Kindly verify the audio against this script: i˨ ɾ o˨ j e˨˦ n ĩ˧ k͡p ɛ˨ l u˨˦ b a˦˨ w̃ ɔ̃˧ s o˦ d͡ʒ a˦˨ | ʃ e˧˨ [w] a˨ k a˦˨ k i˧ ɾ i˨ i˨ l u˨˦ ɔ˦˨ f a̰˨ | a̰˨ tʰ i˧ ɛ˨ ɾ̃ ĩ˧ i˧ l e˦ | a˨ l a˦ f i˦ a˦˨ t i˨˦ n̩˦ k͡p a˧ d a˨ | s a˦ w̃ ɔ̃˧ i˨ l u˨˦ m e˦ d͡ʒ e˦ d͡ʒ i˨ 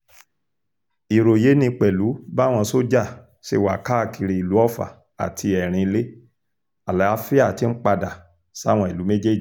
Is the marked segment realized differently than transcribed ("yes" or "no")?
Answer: no